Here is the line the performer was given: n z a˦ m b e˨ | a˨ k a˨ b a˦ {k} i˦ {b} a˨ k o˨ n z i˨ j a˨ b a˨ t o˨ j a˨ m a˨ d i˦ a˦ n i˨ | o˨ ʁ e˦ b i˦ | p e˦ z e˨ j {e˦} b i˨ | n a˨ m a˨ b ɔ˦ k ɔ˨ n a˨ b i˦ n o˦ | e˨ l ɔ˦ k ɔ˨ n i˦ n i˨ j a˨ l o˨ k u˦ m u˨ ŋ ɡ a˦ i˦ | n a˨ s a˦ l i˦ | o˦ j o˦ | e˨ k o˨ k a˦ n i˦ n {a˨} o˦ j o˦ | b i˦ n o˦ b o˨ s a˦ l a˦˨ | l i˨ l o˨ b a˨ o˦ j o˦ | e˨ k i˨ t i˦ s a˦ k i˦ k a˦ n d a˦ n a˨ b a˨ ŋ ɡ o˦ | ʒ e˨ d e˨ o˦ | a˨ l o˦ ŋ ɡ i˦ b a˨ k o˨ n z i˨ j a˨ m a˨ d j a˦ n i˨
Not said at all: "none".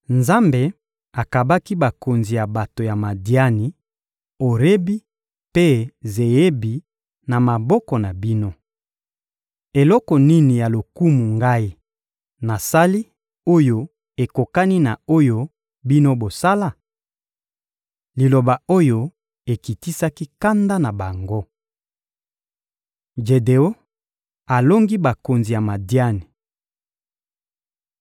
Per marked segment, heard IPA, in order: k, b, e˦, a˨

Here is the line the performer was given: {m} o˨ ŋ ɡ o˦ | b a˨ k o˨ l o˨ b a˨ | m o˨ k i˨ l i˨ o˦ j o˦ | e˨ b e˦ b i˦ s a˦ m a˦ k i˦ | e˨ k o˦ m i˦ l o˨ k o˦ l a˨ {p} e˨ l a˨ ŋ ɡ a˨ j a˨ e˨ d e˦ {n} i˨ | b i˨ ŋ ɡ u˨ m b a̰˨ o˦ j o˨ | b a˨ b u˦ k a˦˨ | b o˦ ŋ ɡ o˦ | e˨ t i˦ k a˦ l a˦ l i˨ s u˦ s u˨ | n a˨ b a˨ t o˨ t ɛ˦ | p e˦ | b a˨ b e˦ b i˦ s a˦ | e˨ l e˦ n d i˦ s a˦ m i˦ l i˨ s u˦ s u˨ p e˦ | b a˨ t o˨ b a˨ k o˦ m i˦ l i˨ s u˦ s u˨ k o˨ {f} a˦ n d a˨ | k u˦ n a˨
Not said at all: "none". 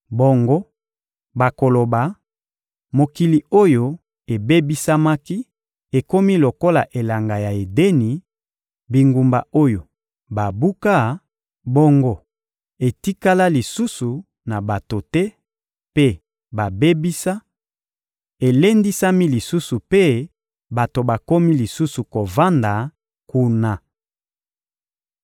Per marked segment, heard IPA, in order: b, ʔ, n, v

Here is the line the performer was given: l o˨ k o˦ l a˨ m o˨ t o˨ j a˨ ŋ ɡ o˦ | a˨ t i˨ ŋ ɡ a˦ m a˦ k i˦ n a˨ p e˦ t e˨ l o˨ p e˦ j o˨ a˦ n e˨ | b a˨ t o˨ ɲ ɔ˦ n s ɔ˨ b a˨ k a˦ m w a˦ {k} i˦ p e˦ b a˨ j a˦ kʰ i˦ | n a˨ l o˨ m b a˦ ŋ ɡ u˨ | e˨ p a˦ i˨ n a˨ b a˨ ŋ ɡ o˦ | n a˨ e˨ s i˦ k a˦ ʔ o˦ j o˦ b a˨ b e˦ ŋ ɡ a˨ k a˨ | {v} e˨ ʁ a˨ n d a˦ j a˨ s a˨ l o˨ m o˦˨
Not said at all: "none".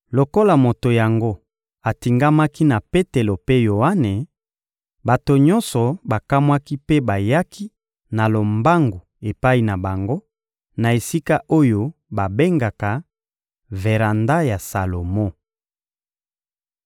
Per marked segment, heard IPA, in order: k, v

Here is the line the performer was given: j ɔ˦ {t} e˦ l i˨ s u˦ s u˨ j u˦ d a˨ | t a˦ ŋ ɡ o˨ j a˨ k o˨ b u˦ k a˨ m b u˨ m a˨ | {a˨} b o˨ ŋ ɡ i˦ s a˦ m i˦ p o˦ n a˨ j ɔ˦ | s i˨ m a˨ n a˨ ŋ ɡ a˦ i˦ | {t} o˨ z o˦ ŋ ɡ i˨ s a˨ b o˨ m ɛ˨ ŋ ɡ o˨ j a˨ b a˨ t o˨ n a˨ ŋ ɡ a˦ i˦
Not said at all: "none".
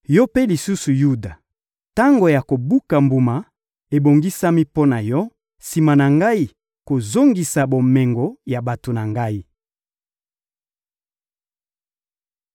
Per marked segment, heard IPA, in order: p, e˨, k

